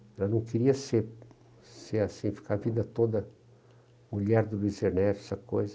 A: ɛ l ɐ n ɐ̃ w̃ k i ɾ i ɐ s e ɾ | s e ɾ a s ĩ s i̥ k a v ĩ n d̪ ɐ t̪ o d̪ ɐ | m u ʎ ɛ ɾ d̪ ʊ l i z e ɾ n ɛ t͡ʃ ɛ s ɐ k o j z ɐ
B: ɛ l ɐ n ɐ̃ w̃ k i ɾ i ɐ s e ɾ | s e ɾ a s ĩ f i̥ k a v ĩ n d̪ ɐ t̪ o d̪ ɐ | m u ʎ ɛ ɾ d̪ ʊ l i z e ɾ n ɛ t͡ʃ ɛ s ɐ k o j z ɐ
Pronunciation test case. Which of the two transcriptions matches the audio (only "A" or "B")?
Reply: B